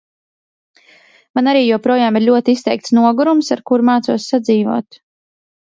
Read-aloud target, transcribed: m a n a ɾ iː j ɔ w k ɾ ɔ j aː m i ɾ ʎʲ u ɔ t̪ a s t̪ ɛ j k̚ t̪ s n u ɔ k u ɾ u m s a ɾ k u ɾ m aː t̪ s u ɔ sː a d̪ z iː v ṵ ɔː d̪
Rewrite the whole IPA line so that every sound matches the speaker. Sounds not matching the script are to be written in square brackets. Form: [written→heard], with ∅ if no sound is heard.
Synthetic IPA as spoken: m a n a ɾ iː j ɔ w [k→p] ɾ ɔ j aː m i ɾ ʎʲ u ɔ t̪ [a→i] s t̪ ɛ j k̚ t̪ s n u ɔ [k→ɡ] u ɾ u m s a ɾ k u ɾ m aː t̪ s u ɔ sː a d̪ z iː v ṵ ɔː [d̪→t̪]